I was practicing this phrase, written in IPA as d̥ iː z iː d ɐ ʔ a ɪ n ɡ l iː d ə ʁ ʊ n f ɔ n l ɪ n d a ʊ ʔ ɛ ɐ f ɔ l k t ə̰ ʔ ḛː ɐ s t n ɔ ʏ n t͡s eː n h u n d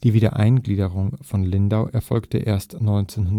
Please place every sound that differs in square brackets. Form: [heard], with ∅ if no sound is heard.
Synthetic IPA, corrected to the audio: d̥ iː [v] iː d ɐ ʔ a ɪ n ɡ l iː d ə ʁ ʊ [ŋ] f ɔ n l ɪ n d a ʊ ʔ ɛ ɐ f ɔ l k t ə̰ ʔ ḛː ɐ s t n ɔ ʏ n t͡s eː n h [ʊ] n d